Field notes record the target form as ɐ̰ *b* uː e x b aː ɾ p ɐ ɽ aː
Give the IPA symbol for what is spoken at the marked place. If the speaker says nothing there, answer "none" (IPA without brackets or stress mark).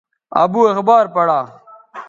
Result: b